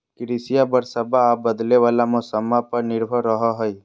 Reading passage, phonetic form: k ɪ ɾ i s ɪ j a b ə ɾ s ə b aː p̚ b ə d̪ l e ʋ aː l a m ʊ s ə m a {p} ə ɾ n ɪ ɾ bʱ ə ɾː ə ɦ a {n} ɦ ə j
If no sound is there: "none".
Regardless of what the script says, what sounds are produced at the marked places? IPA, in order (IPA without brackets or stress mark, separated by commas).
p, none